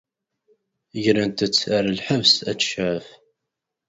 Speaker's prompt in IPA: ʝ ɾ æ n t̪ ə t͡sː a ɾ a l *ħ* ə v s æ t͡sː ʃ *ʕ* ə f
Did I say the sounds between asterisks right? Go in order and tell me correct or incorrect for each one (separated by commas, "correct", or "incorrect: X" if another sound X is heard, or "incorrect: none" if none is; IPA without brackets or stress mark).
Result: correct, correct